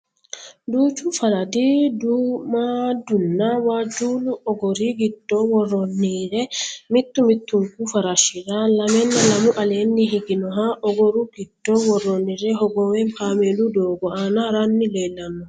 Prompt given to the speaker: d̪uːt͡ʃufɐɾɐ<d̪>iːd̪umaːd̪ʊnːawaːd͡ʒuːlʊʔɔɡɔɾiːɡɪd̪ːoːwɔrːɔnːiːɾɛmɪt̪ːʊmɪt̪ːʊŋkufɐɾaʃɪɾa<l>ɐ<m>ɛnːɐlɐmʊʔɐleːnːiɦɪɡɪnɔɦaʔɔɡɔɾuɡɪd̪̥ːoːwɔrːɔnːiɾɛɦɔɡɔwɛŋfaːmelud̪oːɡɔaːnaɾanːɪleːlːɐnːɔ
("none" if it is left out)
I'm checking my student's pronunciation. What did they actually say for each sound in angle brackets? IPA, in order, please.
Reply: d̪, l, m

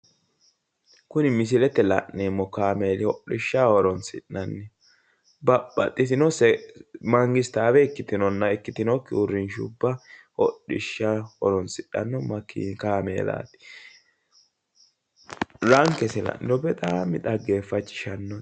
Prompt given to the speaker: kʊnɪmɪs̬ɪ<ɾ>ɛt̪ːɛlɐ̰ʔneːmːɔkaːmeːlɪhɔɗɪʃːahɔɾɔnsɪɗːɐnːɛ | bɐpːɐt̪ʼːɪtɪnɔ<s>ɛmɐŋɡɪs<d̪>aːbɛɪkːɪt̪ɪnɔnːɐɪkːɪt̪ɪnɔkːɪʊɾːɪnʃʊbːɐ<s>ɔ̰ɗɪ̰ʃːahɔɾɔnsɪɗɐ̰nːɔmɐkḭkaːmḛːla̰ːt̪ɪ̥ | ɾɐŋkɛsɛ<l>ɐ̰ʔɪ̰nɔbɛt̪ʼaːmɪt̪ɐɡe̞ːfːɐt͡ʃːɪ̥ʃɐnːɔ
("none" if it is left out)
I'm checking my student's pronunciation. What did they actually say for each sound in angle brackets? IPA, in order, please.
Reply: l, s, t̪, h, l

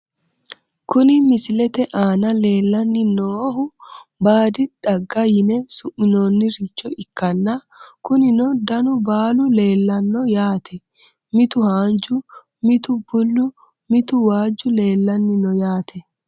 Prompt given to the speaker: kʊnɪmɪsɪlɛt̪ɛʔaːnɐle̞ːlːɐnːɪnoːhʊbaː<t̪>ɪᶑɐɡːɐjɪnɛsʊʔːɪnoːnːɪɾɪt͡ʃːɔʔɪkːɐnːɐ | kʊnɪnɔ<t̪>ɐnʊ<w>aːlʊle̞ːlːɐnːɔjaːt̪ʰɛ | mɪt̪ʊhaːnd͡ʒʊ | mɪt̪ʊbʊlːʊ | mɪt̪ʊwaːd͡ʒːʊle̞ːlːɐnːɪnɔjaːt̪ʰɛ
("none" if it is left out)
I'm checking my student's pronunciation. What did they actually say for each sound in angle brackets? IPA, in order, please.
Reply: d̪, d̪, b

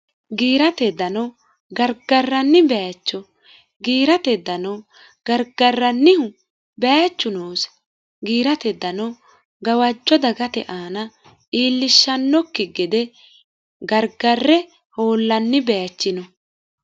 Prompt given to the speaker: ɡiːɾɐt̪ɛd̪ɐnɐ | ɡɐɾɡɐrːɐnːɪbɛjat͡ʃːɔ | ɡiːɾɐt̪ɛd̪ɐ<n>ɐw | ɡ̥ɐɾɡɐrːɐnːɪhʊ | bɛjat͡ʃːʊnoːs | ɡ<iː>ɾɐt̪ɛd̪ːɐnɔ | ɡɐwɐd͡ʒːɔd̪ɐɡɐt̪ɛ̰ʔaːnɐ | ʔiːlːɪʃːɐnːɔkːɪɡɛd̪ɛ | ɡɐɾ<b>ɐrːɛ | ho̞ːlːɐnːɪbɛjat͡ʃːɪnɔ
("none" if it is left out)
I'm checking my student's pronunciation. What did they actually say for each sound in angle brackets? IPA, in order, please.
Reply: n, iː, ɡ

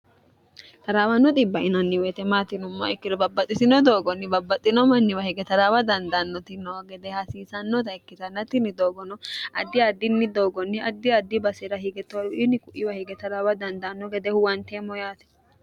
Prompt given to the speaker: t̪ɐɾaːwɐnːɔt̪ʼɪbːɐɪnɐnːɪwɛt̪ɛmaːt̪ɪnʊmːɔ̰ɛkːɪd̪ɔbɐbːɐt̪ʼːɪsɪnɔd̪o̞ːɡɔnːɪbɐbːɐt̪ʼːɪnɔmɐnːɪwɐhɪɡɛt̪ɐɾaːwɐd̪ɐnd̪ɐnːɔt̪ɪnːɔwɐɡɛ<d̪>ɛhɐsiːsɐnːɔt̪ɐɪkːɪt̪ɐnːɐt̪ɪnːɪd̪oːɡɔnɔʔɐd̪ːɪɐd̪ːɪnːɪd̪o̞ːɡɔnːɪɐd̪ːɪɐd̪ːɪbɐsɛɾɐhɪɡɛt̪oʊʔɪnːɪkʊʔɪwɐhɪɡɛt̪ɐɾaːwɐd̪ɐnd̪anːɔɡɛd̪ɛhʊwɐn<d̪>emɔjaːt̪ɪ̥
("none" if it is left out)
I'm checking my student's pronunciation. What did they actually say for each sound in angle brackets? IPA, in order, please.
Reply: d̪, t̪

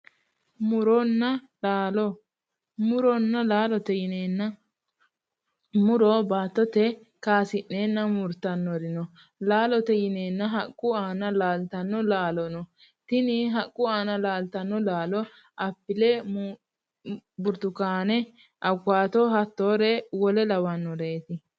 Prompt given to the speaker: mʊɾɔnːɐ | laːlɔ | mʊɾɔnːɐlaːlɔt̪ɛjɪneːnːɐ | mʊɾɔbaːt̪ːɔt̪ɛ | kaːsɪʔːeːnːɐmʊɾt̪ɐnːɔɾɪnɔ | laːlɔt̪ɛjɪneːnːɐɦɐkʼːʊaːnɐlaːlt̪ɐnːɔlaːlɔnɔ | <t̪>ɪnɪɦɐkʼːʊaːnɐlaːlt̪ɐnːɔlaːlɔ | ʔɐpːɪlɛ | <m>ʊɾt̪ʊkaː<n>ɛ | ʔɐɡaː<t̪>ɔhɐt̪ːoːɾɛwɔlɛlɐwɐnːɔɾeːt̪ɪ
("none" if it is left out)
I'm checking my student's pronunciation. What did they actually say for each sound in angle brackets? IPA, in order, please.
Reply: t̪, b, n, t̪

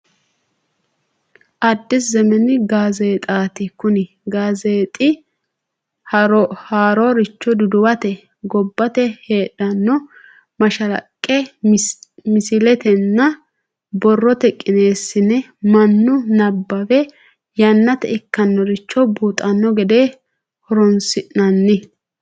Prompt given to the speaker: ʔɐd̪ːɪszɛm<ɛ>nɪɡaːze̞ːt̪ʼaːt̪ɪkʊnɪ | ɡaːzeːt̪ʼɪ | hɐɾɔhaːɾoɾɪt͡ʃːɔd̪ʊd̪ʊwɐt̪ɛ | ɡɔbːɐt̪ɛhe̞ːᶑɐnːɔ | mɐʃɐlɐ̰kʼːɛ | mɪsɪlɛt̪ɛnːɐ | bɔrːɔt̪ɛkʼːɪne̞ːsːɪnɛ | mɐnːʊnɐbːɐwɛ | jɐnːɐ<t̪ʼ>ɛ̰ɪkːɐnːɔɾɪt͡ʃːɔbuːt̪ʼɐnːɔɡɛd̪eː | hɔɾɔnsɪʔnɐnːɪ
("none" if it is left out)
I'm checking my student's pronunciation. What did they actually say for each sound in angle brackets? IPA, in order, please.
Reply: ɛ, t̪

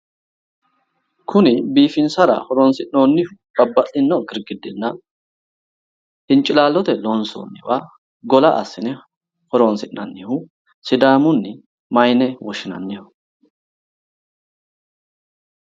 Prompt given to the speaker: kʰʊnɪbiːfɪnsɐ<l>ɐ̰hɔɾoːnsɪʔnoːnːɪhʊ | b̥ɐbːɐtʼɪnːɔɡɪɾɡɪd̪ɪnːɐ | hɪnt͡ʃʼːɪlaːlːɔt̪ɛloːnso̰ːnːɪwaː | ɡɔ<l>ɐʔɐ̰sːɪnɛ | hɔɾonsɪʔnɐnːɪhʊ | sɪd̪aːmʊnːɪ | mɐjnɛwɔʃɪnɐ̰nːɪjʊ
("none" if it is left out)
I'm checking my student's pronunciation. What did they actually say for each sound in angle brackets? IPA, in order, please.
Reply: ɾ, l

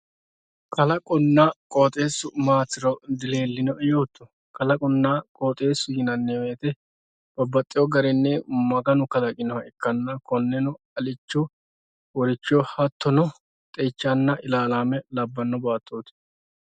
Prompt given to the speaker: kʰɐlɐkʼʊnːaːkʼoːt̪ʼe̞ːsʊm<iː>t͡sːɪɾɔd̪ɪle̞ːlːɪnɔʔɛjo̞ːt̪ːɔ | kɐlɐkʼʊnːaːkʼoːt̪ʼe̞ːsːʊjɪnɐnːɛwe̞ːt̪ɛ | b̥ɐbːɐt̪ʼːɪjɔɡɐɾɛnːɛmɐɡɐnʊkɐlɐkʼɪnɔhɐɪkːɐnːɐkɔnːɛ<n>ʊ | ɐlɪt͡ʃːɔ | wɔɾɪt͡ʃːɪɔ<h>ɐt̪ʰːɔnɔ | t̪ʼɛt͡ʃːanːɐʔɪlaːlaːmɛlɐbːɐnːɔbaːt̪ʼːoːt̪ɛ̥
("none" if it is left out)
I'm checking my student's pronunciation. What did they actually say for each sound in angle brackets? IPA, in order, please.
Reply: aː, n, h

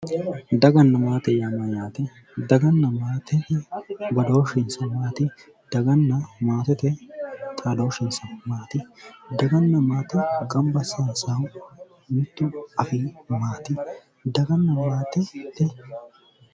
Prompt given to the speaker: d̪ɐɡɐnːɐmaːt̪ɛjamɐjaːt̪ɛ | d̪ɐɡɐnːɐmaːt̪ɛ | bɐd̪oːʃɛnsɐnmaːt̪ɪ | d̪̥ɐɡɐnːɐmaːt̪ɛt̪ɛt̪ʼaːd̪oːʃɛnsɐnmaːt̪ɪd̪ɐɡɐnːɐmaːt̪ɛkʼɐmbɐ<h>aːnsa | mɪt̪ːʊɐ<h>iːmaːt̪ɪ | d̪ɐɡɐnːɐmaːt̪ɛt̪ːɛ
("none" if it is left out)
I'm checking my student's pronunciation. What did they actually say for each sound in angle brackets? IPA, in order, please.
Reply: s, f

